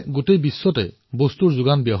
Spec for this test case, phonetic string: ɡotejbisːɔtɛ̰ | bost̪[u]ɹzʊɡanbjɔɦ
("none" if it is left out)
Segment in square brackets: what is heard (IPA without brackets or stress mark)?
u